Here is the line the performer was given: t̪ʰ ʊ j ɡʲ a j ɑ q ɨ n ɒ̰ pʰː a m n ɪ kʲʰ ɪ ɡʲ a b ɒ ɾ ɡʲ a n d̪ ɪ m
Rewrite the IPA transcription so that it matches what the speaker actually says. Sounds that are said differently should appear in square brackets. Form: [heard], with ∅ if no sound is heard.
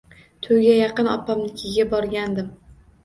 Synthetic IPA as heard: t̪ʰ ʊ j ɡʲ a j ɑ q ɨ n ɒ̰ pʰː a m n ɪ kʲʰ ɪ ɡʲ a b ɒ ɾ ɡʲ a n d̪ ɪ m